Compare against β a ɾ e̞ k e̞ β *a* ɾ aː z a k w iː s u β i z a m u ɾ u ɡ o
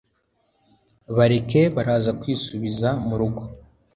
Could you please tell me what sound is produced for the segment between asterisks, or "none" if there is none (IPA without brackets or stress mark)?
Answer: a